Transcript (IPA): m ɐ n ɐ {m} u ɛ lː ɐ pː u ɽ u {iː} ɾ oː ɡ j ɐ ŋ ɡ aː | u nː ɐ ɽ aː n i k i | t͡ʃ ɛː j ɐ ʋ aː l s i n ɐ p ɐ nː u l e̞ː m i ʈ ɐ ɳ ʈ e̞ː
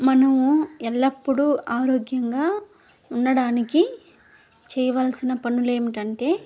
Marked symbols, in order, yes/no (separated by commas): yes, no